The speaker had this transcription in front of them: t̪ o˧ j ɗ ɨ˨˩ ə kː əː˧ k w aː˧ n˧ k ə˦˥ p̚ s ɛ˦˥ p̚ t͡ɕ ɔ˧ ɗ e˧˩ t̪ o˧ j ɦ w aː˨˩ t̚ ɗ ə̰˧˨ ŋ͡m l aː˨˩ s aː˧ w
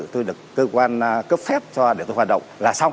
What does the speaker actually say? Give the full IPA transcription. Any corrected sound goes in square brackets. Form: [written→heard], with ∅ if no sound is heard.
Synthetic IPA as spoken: t̪ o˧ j ɗ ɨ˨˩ ə kː əː˧ k w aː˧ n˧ k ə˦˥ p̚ [s→f] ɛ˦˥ p̚ t͡ɕ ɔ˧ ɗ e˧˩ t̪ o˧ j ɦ w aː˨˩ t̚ ɗ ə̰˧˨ ŋ͡m l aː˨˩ s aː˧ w

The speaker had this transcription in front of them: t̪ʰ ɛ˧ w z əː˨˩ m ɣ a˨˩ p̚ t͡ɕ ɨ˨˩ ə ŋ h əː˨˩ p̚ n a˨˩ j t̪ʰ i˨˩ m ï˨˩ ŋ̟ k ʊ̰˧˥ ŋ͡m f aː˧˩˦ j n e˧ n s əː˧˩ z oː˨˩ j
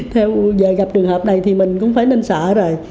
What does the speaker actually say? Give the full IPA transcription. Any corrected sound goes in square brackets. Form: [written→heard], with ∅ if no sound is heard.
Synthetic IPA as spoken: t̪ʰ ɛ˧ w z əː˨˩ [m→∅] ɣ a˨˩ p̚ t͡ɕ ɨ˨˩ ə ŋ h əː˨˩ p̚ n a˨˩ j t̪ʰ i˨˩ m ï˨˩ ŋ̟ k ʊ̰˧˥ ŋ͡m f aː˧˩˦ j n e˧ n s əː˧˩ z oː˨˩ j

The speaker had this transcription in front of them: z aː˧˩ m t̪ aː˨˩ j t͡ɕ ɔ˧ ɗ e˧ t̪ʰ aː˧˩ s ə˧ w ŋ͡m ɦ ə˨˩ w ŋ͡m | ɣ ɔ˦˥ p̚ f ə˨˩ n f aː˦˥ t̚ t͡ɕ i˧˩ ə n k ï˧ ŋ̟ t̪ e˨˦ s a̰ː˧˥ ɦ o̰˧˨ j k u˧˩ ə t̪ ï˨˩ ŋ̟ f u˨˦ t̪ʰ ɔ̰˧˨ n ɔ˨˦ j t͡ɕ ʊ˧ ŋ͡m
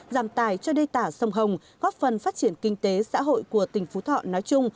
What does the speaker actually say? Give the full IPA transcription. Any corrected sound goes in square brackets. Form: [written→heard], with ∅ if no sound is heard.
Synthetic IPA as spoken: z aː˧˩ m t̪ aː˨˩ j t͡ɕ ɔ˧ ɗ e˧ [t̪ʰ→t̪] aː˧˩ s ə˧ w ŋ͡m ɦ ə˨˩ w ŋ͡m | ɣ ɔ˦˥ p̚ f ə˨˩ n f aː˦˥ t̚ t͡ɕ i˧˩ ə n k ï˧ ŋ̟ t̪ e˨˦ s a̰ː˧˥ ɦ o̰˧˨ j k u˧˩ ə t̪ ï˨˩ ŋ̟ f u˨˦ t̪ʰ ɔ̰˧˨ n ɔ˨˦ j t͡ɕ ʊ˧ ŋ͡m

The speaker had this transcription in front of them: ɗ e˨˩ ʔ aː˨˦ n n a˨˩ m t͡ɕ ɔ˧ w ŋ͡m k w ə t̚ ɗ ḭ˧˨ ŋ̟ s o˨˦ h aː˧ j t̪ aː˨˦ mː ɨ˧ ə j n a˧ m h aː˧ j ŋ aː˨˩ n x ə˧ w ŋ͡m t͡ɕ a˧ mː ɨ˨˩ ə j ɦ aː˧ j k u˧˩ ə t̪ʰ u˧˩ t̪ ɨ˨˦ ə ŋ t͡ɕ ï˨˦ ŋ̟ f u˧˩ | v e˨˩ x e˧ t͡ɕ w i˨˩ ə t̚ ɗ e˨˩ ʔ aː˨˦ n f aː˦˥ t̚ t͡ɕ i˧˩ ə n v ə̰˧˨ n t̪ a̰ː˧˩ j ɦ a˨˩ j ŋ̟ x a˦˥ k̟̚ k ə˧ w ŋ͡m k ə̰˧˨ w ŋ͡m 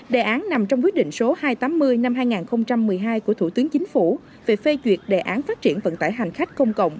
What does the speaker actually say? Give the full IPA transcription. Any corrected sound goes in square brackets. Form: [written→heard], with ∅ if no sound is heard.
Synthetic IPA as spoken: ɗ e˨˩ ʔ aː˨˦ n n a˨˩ m t͡ɕ ɔ˧ w ŋ͡m k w ə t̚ ɗ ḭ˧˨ ŋ̟ s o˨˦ h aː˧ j t̪ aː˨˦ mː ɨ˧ ə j n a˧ m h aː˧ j ŋ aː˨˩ n x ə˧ w ŋ͡m t͡ɕ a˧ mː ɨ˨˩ ə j ɦ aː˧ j k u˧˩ ə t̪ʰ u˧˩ t̪ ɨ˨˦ ə ŋ t͡ɕ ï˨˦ ŋ̟ f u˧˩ | v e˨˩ [x→f] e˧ t͡ɕ w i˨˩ ə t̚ ɗ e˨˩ ʔ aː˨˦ n f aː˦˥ t̚ t͡ɕ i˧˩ ə n v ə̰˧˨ n t̪ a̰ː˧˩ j ɦ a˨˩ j ŋ̟ x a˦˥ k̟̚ k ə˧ w ŋ͡m k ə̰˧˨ w ŋ͡m

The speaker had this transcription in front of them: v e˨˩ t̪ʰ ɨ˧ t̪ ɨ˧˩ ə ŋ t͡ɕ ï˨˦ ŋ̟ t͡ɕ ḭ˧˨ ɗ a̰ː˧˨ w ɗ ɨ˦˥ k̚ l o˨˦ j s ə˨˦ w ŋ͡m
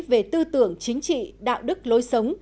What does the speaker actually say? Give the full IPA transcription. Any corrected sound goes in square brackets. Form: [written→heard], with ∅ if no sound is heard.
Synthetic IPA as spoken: v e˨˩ [t̪ʰ→t̪] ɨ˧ t̪ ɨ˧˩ ə ŋ t͡ɕ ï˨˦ ŋ̟ t͡ɕ ḭ˧˨ ɗ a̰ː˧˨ w ɗ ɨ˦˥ k̚ l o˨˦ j s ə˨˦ w ŋ͡m

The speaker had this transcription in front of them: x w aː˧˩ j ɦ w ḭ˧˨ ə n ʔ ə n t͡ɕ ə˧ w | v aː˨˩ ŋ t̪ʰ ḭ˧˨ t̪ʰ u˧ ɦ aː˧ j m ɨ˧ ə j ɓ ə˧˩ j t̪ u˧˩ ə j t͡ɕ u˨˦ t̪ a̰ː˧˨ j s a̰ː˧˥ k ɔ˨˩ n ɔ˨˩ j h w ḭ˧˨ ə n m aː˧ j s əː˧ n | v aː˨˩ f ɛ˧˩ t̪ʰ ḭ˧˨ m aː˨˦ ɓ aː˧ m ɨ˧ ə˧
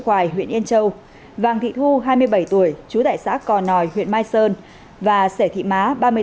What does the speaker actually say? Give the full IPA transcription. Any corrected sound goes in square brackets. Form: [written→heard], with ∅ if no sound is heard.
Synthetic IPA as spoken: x w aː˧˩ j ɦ w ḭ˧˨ ə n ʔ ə n t͡ɕ ə˧ w | v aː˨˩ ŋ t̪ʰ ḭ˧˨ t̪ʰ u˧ ɦ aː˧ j m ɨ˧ ə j ɓ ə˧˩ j t̪ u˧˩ ə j t͡ɕ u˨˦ t̪ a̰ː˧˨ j s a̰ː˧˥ k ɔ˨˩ n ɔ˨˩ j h w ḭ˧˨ ə n m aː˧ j s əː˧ n | v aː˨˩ [f→s] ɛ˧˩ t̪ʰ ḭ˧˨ m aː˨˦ ɓ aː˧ m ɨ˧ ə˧

